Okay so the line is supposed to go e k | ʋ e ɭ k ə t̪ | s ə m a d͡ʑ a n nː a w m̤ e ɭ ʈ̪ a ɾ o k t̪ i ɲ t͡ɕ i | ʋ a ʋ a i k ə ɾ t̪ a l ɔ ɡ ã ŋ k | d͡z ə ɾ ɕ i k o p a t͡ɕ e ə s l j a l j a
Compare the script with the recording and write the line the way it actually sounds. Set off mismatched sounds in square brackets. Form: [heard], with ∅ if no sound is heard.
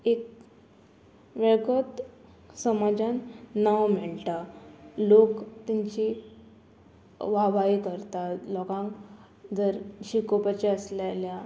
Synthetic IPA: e k | ʋ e ɭ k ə t̪ | s ə m a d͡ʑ a n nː a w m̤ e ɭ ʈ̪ a [l] o k t̪ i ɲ t͡ɕ i | ʋ a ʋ a i k ə ɾ t̪ a l ɔ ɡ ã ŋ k | d͡z ə ɾ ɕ i k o p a t͡ɕ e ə s l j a l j a